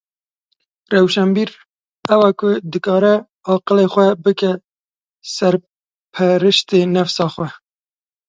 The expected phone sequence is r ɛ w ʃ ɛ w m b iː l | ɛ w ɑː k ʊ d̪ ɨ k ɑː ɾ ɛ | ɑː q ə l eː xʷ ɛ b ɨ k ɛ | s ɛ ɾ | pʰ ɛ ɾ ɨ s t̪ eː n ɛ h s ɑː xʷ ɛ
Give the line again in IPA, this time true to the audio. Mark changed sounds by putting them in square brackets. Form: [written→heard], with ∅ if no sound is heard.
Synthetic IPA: r ɛ w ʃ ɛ [w→∅] m b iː [l→ɾ] | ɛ w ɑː k ʊ d̪ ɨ k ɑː ɾ ɛ | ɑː q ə l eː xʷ ɛ b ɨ k ɛ | s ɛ ɾ | pʰ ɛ ɾ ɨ [s→ʃ] t̪ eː n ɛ [h→f] s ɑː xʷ ɛ